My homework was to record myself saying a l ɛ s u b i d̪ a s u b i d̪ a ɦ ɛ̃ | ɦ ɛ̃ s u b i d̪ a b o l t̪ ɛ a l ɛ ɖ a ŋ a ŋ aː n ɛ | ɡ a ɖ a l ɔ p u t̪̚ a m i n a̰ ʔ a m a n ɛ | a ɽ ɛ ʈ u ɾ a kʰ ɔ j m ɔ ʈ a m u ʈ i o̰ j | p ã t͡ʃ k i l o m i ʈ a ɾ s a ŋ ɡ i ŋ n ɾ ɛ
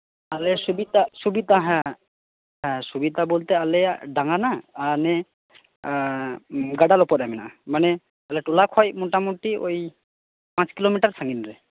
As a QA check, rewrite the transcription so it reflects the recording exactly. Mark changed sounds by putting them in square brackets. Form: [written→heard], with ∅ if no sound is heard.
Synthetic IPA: a l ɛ s u b i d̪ a s u b i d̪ a ɦ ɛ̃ | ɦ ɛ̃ s u b i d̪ a b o l t̪ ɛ a l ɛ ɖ a ŋ a [ŋ→n] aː n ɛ | ɡ a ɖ a l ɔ p [u→ɔ] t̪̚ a m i n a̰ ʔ a m a n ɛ | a [ɽ→l] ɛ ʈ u [ɾ→l] a kʰ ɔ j m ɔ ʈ a m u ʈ i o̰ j | p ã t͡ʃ k i l o m i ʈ a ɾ s a ŋ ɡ i [ŋ→∅] n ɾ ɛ